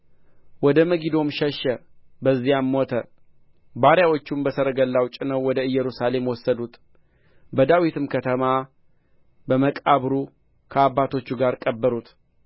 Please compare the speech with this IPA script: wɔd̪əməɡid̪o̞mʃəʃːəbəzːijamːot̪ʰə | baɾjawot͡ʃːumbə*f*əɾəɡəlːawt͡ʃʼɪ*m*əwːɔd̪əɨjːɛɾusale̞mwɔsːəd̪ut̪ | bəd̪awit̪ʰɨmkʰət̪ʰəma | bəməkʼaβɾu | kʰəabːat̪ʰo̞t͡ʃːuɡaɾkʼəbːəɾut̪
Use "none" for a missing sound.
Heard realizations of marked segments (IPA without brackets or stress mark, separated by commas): s, n